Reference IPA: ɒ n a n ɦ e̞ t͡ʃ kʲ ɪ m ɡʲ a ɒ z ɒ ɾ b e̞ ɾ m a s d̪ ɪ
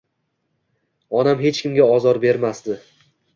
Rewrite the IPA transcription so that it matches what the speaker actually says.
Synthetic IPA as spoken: ɒ n a m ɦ e̞ t͡ʃ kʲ ɪ m ɡʲ a ɒ z ɒ ɾ b e̞ ɾ m a s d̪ ɪ